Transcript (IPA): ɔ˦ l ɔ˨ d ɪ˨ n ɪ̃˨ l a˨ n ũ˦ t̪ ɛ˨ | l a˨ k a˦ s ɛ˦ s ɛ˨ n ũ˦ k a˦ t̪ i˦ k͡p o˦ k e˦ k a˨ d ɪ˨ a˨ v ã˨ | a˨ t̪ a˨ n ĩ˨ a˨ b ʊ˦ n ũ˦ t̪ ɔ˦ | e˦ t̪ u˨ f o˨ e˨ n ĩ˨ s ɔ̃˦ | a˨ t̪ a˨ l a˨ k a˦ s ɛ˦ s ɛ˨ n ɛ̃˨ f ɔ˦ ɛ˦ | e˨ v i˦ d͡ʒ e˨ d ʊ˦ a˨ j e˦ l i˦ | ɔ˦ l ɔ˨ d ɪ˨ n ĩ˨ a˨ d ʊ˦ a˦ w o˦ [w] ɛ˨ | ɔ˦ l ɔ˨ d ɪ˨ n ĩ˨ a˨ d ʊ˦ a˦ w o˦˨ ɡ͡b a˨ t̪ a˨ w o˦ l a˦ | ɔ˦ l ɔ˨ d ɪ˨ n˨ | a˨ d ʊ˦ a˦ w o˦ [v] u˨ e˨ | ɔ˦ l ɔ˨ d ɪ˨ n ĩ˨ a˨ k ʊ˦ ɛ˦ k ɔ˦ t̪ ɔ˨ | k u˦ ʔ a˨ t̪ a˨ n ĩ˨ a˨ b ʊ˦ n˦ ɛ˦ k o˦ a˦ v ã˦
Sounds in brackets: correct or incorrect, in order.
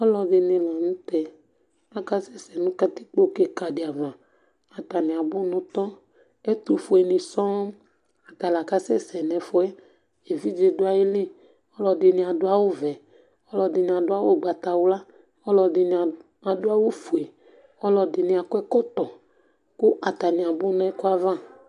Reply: incorrect, incorrect

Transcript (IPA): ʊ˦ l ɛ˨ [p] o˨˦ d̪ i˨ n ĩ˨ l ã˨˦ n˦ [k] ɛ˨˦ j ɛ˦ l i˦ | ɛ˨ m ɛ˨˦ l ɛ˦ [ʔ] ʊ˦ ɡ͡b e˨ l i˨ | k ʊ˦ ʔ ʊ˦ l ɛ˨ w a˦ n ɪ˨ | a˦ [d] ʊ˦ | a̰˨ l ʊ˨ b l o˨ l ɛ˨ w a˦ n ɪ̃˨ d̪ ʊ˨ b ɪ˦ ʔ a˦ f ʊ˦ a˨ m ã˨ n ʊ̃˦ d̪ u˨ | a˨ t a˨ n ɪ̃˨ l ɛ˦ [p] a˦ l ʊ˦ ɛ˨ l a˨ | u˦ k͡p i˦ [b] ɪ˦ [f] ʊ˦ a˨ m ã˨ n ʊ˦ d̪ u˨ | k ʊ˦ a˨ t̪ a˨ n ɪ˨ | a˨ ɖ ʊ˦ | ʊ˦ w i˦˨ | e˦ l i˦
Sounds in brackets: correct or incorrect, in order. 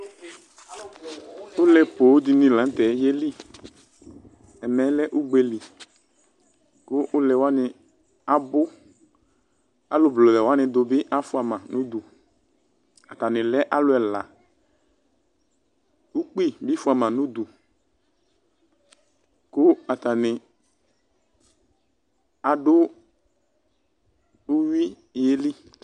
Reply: correct, incorrect, correct, incorrect, incorrect, correct, correct

